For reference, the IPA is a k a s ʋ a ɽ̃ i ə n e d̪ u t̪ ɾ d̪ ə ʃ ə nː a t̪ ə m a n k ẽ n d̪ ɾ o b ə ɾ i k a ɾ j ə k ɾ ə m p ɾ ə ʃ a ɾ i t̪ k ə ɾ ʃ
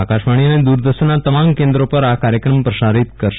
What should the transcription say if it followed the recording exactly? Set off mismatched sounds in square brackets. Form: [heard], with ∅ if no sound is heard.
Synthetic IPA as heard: a k a [ʃ] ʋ a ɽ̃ i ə n e d̪ u [∅] ɾ d̪ ə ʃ ə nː a t̪ ə m a [m] k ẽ n d̪ ɾ o [p] ə ɾ [a] k a ɾ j ə k ɾ ə m p ɾ ə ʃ a ɾ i t̪ k ə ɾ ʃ